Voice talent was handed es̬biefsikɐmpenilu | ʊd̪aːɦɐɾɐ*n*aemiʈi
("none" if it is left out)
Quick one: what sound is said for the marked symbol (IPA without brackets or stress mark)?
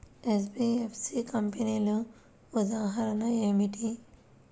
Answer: n